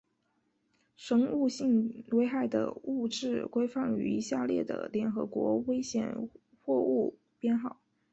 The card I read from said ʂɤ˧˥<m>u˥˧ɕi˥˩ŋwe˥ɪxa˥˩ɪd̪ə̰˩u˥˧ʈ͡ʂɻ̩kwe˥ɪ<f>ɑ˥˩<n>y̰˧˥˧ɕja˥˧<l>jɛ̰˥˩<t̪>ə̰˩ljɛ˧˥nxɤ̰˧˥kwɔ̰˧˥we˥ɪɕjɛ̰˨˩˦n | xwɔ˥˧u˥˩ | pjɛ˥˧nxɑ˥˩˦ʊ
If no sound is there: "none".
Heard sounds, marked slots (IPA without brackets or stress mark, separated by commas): ŋ, f, ŋ, l, d̪